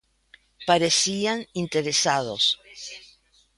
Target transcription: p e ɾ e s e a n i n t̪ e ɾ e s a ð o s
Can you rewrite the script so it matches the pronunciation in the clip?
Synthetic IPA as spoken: p a ɾ e s i a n i n t̪ e ɾ e s a ð o s